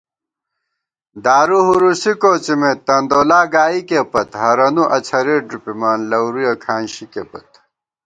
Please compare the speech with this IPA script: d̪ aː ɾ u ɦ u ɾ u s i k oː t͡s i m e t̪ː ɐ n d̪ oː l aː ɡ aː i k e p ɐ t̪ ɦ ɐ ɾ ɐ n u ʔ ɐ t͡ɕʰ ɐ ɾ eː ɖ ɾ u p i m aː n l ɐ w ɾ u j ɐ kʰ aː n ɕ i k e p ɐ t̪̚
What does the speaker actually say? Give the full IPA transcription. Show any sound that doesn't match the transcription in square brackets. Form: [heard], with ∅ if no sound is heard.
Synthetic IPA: d̪ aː ɾ u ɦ u ɾ u s i k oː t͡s i m e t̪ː ɐ n d̪ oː l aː ɡ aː i k e p ɐ t̪ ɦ ɐ ɾ ɐ n u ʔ ɐ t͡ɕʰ ɐ ɾ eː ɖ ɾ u p i m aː n l ɐ w ɾ u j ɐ kʰ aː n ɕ i k e p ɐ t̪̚